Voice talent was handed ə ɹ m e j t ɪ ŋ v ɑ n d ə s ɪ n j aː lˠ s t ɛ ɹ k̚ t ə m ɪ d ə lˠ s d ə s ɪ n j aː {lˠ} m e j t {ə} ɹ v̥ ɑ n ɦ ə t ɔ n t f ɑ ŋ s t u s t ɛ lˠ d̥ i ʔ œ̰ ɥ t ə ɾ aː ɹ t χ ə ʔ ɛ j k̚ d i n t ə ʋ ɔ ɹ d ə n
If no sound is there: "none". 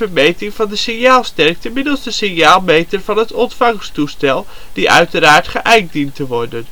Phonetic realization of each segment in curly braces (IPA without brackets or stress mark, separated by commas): lˠ, ə